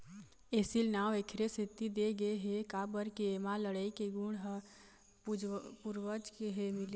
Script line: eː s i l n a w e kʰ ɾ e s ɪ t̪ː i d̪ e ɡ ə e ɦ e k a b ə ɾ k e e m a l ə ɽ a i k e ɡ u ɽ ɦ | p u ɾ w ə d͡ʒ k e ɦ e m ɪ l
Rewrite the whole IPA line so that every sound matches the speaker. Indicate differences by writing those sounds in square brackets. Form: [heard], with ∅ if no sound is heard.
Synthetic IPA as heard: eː s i l n a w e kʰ ɾ e s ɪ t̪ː i d̪ e ɡ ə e ɦ e k a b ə ɾ k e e m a l ə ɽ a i k e ɡ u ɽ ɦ | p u ɾ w ə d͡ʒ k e ɦ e m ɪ l